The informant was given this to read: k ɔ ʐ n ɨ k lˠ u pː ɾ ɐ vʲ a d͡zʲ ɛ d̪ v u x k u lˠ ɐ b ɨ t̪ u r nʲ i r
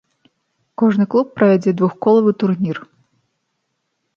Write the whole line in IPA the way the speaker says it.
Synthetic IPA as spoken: k ɔ ʐ n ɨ k lˠ u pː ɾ ɐ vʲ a d͡zʲ ɛ d̪ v u x k ɔ lˠ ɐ v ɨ t̪ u r nʲ i r